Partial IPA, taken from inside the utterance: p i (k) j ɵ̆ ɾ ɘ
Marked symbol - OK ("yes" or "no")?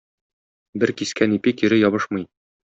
yes